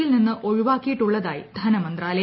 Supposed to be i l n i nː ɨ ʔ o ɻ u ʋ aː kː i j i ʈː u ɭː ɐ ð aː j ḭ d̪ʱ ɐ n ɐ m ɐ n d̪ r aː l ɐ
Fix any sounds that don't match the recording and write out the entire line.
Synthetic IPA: i l n i nː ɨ ʔ o ɻ u ʋ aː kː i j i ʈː u ɭː ɐ ð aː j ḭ d̪ʱ ɐ n ɐ m ɐ n d̪ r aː l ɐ